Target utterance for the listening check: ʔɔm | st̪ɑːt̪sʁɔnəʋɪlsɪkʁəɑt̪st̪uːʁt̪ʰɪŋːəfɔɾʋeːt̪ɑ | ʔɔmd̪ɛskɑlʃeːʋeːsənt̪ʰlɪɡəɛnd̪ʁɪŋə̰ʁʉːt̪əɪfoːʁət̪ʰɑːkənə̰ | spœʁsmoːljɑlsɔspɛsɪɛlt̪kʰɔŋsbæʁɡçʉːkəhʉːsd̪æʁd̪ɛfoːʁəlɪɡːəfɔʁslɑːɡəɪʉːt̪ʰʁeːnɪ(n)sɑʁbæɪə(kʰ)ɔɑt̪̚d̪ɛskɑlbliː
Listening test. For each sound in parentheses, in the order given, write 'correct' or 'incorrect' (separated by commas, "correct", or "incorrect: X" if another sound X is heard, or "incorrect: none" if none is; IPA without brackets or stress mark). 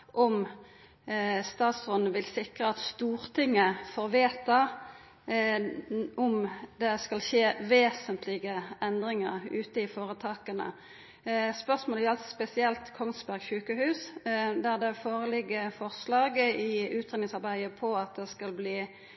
incorrect: ŋ, incorrect: pʰ